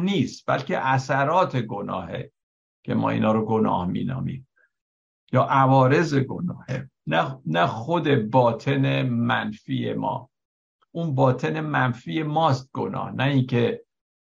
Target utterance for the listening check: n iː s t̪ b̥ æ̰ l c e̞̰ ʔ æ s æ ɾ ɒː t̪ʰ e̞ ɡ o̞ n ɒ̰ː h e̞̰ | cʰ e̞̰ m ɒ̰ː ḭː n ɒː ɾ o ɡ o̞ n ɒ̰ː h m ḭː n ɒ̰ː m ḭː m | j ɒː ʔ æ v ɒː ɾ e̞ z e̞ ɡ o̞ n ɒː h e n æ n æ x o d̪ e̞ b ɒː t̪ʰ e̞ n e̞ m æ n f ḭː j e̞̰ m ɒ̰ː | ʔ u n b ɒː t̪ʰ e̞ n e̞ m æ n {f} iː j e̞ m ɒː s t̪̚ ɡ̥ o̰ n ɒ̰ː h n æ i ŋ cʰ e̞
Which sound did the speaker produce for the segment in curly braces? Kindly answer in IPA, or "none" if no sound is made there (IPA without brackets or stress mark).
f